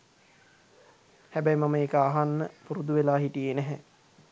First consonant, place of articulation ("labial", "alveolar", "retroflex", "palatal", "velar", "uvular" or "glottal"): glottal